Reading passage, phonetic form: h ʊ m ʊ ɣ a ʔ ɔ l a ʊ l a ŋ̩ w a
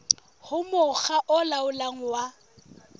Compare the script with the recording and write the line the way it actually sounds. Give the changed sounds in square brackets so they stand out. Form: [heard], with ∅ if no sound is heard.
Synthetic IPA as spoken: h ʊ m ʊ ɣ a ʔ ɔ l a ʊ l a ŋ̩ w a

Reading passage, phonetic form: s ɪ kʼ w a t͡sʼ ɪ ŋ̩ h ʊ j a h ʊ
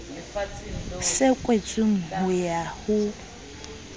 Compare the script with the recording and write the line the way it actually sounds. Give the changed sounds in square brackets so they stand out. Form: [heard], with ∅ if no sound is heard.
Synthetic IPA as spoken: s ɪ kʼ w [e] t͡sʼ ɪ ŋ̩ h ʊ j a h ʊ

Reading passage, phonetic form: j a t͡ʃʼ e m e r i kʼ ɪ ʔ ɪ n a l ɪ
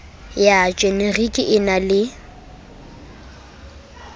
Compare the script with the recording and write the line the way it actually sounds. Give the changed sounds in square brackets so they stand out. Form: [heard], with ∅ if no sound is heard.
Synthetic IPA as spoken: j a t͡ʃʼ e [n] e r i kʼ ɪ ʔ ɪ n a l ɪ

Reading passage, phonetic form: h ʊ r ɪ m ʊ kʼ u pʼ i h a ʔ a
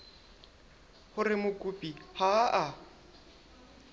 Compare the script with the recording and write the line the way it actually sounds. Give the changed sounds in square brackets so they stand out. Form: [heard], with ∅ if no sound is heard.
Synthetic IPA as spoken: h ʊ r ɪ m ʊ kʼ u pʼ i h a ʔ a

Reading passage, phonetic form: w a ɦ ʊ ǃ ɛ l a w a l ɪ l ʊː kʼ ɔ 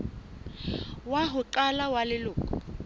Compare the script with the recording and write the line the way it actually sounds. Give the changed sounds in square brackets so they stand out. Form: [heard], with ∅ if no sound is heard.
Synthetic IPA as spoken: w a ɦ ʊ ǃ [a] l a w a l ɪ l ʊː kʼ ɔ

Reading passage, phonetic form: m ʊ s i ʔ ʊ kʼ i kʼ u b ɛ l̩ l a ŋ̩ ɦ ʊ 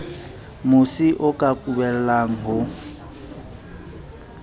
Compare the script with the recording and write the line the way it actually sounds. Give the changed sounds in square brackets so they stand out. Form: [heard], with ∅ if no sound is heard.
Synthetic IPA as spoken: m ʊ s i ʔ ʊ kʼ [a] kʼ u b ɛ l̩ l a ŋ̩ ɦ ʊ

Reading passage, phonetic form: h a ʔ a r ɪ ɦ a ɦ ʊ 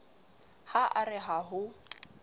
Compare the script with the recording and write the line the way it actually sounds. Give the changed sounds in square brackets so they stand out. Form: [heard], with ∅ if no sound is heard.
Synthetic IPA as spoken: h a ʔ a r ɪ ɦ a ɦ ʊ

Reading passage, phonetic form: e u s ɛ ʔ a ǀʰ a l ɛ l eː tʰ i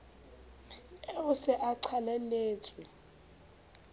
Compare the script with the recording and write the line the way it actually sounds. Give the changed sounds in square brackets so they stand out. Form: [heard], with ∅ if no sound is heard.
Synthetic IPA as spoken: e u s ɛ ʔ a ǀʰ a l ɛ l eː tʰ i

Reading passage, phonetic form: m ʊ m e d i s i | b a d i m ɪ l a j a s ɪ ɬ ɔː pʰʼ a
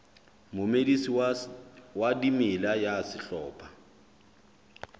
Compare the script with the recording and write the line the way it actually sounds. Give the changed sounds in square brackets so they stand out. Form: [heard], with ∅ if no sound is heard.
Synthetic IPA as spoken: m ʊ m e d i s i | [w] a d i m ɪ l a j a s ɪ ɬ ɔː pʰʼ a

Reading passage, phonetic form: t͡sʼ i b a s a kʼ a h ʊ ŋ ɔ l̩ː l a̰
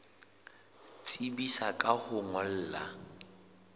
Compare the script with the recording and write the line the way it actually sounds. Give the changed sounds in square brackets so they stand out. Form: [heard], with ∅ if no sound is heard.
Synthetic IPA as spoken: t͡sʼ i b [i] s a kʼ a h ʊ ŋ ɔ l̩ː l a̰

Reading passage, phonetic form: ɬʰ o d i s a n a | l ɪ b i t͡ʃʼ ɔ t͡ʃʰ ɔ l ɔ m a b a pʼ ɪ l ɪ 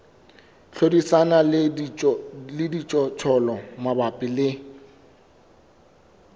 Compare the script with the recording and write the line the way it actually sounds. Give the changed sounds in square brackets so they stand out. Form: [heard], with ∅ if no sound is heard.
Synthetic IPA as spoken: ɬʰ o d i s a n a | l ɪ [d] i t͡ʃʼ ɔ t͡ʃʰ ɔ l ɔ m a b a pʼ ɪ l ɪ

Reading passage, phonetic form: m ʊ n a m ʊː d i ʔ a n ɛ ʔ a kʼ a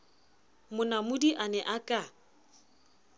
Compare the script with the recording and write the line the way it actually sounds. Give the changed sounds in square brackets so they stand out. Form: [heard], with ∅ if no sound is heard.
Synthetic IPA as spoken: m ʊ n a m [ʊ] d i ʔ a n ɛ ʔ a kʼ a

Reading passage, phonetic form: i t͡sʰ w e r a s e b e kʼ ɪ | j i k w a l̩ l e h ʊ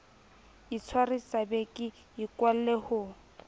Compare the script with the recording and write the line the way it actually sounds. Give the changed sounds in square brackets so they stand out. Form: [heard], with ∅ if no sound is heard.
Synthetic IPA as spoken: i t͡sʰ w [a] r [i] s [a] b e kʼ ɪ | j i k w a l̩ l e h ʊ

